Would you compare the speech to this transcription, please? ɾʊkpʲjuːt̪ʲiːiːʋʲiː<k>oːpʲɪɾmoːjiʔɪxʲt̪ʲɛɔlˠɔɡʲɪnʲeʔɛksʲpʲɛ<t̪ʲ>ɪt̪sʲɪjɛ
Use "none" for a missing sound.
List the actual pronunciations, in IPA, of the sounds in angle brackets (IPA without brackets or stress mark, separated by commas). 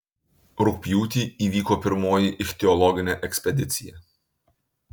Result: k, d̪ʲ